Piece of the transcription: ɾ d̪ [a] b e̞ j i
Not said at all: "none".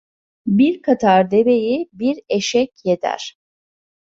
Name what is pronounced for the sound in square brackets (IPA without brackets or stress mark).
e